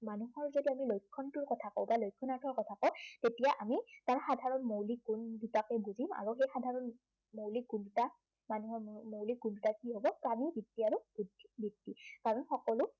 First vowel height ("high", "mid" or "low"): low